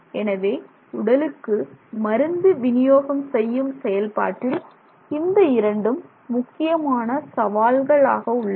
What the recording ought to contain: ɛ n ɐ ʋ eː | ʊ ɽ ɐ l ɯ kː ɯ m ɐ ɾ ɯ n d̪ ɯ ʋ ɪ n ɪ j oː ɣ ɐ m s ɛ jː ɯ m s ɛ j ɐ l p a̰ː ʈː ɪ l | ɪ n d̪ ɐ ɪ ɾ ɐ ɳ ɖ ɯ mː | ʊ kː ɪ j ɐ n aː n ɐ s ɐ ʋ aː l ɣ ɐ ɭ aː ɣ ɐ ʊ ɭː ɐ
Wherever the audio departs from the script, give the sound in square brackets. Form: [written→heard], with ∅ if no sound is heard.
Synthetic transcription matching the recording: ɛ n ɐ ʋ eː | ʊ ɽ ɐ l ɯ kː ɯ m ɐ ɾ ɯ n d̪ ɯ ʋ ɪ n ɪ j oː ɣ ɐ m s ɛ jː ɯ m s ɛ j ɐ l p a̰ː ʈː ɪ l | ɪ n d̪ ɐ ɪ ɾ ɐ ɳ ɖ ɯ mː | ʊ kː ɪ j ɐ [n→m] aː n ɐ s ɐ ʋ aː l ɣ ɐ ɭ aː ɣ ɐ ʊ ɭː ɐ